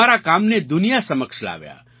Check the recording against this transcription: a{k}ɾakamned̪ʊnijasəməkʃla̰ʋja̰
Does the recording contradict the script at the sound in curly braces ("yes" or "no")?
yes